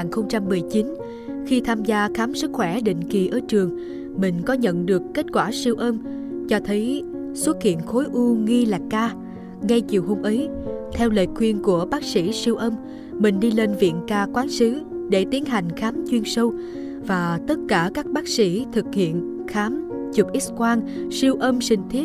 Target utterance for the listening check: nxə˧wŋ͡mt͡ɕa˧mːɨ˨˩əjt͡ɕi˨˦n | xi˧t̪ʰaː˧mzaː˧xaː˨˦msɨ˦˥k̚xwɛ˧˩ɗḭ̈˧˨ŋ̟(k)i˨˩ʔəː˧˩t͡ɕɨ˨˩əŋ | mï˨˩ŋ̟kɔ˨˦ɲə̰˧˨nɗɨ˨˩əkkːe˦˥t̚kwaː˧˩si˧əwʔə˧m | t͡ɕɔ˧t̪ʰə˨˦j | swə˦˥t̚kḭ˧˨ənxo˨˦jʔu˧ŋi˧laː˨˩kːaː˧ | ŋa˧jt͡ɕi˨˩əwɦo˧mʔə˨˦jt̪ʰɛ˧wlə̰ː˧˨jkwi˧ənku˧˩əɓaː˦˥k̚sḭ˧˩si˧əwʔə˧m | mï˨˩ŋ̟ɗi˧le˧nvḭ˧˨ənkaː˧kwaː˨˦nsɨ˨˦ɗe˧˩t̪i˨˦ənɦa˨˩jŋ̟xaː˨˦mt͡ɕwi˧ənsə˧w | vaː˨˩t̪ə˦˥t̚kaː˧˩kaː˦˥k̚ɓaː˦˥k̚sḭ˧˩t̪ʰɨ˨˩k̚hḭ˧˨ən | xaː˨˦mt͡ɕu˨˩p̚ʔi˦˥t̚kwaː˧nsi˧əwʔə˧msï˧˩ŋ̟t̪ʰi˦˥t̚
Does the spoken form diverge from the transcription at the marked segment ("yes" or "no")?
no